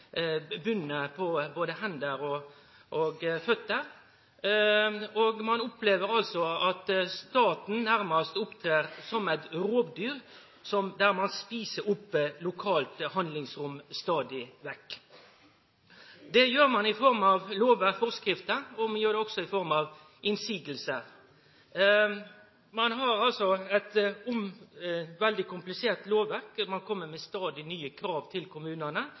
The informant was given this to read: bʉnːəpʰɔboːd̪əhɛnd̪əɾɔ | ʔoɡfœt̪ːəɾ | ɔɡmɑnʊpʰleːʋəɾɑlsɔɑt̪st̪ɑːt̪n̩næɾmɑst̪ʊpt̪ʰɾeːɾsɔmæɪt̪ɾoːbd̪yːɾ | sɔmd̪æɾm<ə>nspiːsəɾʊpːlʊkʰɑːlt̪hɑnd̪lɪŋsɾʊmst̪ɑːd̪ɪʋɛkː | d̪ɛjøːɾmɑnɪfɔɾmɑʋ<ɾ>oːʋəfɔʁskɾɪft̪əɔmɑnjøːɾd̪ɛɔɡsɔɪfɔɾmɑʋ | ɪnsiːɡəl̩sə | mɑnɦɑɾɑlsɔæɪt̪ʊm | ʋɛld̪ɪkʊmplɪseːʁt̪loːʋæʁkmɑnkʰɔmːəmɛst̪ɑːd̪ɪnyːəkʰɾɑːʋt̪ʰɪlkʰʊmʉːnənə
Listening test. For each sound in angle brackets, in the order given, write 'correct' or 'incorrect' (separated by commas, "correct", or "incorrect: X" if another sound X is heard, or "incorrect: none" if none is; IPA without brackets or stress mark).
incorrect: ɑ, incorrect: l